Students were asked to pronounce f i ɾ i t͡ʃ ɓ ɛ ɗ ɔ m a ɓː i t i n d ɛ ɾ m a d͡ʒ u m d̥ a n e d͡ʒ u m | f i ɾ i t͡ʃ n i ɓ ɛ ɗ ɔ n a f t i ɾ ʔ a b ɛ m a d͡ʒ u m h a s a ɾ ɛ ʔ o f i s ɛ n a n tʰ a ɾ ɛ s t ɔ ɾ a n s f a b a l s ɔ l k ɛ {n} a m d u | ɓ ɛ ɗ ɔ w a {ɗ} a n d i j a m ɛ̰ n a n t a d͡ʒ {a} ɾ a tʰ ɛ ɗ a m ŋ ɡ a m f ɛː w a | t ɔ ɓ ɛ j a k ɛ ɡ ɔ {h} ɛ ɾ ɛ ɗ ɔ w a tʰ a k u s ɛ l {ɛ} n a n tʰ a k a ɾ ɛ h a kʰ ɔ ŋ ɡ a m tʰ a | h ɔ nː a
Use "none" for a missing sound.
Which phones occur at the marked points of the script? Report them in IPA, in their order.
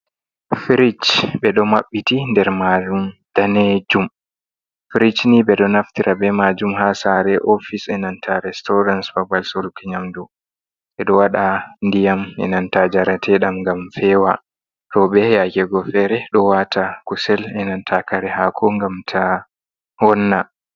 ɲ, ɗ, a, f, ɛ

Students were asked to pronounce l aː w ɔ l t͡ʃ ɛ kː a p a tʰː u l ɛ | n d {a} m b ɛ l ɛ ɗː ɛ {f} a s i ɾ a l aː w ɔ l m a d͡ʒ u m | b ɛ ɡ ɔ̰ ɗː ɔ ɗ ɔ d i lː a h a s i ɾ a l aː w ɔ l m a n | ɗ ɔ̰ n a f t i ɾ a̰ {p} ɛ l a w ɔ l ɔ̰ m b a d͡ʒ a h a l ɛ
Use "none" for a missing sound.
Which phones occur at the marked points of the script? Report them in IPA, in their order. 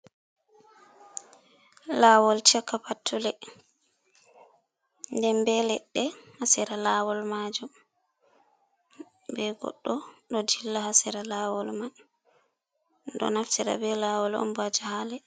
ɛ, h, b

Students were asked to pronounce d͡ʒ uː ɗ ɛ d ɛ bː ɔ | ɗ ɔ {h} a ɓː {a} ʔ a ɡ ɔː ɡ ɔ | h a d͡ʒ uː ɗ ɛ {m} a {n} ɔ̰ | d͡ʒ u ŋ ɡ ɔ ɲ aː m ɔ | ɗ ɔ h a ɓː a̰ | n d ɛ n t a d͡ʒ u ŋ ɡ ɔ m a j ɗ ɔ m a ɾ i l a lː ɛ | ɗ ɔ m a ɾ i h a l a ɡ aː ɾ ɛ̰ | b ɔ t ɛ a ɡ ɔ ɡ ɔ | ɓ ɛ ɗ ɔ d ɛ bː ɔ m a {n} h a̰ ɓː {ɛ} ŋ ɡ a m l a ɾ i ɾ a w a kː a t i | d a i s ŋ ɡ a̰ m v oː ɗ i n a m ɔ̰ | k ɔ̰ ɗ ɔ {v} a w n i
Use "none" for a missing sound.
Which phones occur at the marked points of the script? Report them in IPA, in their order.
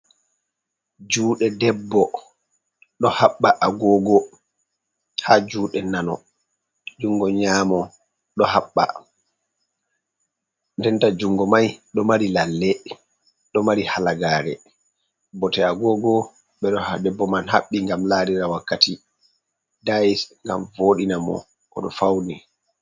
h, a, n, n, n, i, f

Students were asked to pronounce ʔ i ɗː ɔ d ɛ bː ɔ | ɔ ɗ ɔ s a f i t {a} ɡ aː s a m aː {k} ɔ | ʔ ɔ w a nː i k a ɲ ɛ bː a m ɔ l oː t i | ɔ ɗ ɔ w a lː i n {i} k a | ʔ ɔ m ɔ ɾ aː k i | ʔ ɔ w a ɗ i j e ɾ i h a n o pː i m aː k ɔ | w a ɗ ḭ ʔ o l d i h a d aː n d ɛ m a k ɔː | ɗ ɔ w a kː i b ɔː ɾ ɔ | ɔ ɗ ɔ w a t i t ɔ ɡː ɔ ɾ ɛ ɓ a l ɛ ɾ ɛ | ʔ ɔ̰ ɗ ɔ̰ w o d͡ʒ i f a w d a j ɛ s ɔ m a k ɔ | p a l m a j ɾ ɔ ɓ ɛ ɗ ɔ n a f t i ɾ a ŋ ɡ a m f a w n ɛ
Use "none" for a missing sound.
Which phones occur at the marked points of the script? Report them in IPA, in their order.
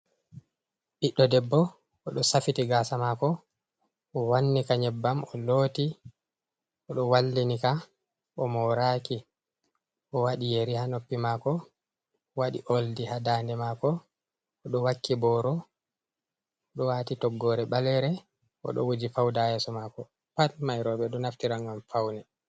i, k, i

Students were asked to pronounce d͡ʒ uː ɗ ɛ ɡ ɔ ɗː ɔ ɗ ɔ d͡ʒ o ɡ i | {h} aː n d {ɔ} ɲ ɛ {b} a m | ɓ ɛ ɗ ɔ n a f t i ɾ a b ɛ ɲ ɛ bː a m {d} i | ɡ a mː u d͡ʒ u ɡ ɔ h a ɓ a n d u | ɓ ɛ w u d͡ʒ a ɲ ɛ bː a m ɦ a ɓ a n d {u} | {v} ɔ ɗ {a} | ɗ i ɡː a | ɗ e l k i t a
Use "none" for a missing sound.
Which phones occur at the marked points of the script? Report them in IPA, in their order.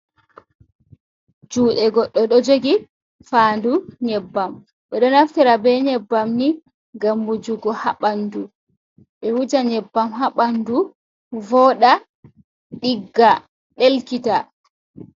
f, u, bː, n, u, v, a

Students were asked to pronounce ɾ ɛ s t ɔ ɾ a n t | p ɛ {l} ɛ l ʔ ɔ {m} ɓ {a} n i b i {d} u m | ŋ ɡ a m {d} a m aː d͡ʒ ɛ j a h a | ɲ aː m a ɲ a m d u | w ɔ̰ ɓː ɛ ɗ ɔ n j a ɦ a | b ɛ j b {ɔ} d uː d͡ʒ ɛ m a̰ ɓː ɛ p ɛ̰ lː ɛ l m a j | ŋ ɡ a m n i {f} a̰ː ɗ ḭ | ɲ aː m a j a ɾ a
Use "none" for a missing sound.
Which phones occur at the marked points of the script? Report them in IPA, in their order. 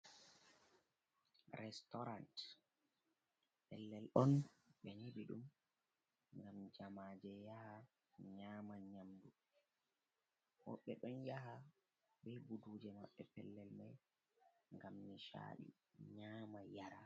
lː, n, ɛ, ɗ, d͡ʒ, u, ʃ

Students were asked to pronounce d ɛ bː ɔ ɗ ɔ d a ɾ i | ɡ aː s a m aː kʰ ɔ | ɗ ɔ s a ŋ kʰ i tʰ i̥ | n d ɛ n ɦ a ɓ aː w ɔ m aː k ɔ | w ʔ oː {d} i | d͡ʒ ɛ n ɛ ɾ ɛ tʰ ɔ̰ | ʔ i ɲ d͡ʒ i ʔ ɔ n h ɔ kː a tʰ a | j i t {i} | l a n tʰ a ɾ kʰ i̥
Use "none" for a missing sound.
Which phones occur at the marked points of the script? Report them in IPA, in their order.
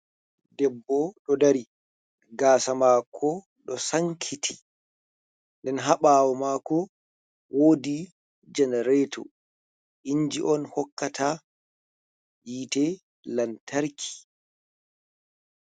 d, ɛ

